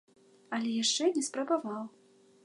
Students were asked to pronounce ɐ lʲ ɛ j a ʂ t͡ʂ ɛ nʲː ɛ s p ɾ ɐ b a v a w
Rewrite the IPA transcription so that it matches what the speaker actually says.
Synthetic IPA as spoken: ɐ lʲ ɛ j a ʂ t͡ʂ ɛ nʲ ɛ s p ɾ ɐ b a v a w